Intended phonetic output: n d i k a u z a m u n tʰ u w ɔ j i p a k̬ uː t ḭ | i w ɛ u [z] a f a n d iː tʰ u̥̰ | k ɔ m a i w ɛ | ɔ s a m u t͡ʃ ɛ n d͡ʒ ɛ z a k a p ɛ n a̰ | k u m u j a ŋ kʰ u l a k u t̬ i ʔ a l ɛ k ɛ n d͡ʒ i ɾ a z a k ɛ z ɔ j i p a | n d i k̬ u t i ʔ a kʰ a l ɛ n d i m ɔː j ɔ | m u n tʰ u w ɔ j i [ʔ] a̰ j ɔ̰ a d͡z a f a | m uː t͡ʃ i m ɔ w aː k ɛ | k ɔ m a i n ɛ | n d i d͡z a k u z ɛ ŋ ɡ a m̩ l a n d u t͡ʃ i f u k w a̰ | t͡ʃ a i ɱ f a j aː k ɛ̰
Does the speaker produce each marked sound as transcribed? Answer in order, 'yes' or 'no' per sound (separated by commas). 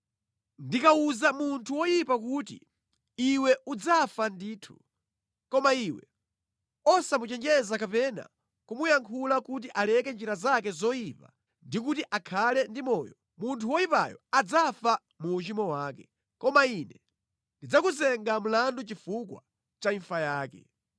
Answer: no, no